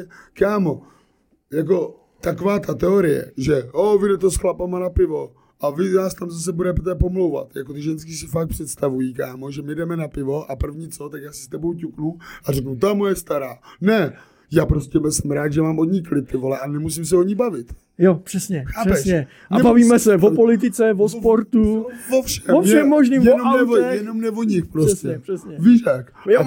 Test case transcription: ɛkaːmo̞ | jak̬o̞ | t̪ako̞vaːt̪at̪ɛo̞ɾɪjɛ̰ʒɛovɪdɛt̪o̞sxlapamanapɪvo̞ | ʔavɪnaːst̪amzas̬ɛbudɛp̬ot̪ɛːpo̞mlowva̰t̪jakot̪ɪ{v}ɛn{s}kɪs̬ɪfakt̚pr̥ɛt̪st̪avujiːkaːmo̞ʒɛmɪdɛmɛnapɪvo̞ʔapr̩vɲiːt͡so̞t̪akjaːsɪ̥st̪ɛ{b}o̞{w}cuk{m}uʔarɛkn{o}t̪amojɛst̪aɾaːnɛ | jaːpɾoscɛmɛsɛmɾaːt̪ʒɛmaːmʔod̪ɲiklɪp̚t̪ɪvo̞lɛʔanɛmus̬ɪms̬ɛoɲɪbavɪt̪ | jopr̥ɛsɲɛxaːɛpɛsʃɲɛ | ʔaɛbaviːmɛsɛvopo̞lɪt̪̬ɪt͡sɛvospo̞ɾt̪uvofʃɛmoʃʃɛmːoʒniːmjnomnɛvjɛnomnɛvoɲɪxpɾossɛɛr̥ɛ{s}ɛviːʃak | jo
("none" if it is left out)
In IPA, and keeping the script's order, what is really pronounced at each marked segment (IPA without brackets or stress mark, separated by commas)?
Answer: ʒ, s, b, w, n, u, s